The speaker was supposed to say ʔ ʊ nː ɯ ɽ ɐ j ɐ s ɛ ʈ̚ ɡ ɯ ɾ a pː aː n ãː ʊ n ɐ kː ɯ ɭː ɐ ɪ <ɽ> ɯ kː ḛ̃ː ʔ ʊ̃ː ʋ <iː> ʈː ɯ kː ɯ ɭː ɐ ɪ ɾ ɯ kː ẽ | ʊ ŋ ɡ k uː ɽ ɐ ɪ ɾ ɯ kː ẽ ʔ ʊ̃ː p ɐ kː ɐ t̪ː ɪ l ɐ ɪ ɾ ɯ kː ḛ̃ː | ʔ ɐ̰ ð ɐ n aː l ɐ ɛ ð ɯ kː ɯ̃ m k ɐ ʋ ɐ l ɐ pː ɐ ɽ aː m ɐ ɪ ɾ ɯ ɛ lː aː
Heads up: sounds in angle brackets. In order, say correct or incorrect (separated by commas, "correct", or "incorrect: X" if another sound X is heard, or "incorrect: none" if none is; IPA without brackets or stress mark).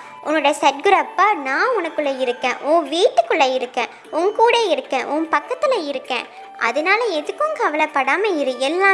incorrect: ɾ, correct